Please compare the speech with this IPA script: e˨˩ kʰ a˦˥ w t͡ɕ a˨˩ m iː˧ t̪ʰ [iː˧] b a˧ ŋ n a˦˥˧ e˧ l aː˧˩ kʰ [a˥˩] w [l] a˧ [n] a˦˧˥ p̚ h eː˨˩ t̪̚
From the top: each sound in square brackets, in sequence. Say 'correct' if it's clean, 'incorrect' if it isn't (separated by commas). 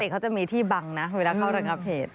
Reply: incorrect, correct, incorrect, incorrect